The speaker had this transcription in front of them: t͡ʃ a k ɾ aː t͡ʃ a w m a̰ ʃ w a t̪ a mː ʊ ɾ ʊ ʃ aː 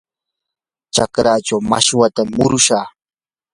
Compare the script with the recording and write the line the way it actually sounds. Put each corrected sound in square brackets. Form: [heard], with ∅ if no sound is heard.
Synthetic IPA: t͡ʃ a k ɾ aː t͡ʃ a w m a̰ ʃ w a t̪ a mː ʊ ɾ ʊ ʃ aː